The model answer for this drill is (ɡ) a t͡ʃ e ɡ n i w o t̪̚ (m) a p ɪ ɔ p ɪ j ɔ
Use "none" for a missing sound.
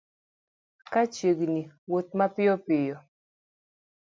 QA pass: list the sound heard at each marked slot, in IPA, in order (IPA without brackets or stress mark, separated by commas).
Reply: k, m